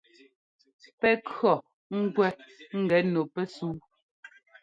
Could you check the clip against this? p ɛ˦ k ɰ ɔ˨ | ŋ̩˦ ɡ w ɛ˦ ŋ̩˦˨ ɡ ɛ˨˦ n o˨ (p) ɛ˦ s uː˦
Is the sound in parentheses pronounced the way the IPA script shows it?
yes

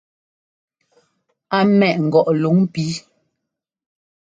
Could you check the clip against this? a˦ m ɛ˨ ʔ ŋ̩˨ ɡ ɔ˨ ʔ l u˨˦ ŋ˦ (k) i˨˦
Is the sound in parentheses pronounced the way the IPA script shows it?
no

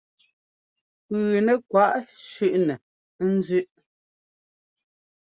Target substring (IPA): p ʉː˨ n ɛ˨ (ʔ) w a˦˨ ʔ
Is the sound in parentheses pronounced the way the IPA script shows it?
no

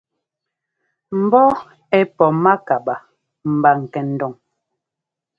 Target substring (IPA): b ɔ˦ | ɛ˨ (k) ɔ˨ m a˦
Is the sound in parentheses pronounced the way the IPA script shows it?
no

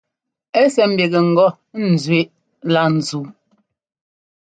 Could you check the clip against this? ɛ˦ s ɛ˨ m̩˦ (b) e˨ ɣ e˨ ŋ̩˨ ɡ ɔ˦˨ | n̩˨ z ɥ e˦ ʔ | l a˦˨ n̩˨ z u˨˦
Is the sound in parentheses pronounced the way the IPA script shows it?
yes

